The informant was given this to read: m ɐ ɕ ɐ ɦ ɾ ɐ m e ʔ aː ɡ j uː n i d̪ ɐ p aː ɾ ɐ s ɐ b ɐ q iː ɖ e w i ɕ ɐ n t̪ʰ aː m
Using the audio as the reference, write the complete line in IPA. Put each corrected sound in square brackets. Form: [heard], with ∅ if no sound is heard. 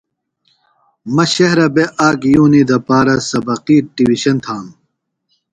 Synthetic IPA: m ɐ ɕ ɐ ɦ ɾ ɐ [b] e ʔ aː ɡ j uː n i d̪ ɐ p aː ɾ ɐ s ɐ b ɐ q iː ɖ [i] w i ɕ ɐ n t̪ʰ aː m

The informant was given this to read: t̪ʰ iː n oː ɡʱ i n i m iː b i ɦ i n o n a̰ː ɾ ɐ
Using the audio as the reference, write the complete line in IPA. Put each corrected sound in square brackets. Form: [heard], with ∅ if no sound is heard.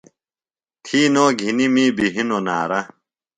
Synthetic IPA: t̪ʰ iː n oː ɡʱ i n i m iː b i ɦ i n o n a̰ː ɾ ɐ

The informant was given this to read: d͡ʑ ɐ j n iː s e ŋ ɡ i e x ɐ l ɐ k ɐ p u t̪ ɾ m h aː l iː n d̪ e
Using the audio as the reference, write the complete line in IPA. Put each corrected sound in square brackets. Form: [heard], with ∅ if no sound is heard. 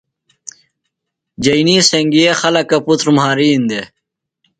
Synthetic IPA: d͡ʑ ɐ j n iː s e ŋ ɡ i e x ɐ l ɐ k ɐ p u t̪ ɾ m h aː [ɾ] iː n d̪ e

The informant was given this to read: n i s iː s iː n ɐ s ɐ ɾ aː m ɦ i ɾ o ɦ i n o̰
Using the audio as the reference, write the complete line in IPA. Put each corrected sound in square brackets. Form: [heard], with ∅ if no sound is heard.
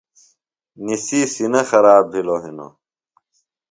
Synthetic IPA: n i s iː s [i] n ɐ [x] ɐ ɾ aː [b] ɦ i [l] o ɦ i n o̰

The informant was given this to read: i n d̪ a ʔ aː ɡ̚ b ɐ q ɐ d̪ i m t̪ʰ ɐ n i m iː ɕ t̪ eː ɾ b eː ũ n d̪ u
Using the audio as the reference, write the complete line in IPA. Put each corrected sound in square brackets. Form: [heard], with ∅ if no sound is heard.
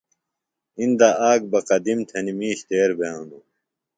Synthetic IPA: i n d̪ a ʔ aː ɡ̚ b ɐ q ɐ d̪ i m t̪ʰ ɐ n i m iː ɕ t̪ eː ɾ b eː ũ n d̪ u

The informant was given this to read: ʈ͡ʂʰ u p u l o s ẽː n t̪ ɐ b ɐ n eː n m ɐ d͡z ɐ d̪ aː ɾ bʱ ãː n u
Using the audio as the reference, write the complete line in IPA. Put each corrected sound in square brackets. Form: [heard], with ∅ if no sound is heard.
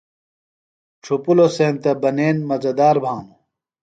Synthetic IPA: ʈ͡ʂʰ u p u l o s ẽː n t̪ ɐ b ɐ n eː n m ɐ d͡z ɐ d̪ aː ɾ bʱ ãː n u

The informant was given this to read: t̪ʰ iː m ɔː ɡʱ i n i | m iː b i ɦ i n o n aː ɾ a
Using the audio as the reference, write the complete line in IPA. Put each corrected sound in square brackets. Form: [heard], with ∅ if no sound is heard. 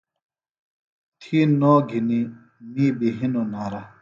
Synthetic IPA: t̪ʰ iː [n] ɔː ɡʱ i n i | m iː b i ɦ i n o n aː ɾ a

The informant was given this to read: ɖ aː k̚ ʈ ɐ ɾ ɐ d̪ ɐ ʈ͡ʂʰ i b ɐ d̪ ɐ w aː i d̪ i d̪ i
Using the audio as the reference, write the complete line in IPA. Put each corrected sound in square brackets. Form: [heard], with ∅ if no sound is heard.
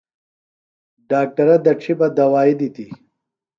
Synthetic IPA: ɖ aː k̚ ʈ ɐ ɾ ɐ d̪ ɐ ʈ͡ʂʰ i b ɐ d̪ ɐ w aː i d̪ i [t̪] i

